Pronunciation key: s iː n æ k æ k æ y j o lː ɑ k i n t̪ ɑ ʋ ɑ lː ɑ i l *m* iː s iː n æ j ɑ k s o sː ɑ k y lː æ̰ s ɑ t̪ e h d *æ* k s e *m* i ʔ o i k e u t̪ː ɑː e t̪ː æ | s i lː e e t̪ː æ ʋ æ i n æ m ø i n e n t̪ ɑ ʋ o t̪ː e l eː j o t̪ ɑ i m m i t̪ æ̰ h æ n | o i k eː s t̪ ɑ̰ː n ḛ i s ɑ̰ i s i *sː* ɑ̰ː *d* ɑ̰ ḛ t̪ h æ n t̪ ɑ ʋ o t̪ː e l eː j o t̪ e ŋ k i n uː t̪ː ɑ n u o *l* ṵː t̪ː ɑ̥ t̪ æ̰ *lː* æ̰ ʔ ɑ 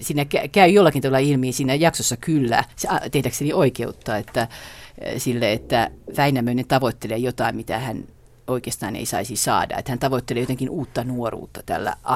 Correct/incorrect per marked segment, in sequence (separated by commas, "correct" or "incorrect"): correct, correct, incorrect, incorrect, correct, incorrect, correct